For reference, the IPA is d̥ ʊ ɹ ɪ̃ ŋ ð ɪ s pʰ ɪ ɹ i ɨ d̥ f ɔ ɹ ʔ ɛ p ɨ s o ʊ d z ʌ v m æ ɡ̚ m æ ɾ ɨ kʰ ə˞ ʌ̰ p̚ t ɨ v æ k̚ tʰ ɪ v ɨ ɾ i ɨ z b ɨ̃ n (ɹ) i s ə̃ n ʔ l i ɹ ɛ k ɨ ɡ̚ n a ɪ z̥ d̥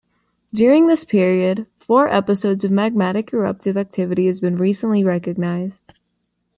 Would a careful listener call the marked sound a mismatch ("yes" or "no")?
no